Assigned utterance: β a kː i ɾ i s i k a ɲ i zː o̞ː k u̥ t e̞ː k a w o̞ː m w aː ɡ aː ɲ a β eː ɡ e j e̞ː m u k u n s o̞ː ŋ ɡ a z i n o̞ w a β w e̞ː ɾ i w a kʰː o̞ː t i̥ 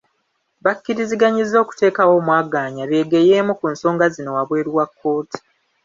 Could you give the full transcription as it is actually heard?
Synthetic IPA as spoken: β a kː i ɾ i z i ɡ a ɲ i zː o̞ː k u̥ t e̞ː k a w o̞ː m w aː ɡ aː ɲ a β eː ɡ e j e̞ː m u k u n s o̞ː ŋ ɡ a z i n o̞ w a β w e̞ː ɾ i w a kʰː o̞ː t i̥